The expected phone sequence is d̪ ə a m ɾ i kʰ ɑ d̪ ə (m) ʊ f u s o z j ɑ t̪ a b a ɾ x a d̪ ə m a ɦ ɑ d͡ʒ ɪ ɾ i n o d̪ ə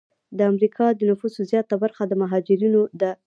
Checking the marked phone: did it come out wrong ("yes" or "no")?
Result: yes